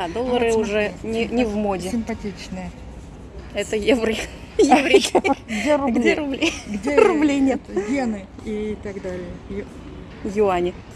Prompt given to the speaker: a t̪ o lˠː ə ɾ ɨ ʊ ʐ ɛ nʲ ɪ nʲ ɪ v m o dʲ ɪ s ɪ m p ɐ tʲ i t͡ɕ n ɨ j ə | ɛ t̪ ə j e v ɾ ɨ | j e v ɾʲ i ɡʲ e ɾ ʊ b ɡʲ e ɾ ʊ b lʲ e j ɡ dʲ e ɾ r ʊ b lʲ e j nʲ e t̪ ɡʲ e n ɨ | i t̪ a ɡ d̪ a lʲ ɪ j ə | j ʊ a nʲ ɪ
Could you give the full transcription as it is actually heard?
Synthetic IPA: a d̪ o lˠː ə ɾ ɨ ʊ ʐ ɛ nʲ ɪ nʲ ɪ v m o dʲ ɪ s ɪ m p ɐ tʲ i t͡ɕ n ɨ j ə | ɛ t̪ ə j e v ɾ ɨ | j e v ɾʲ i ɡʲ e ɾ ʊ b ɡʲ e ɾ ʊ b lʲ e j ɡ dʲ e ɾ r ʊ b lʲ e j nʲ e t̪ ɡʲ e n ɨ | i t̪ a ɡ d̪ a lʲ ɪ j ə | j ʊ a nʲ ɪ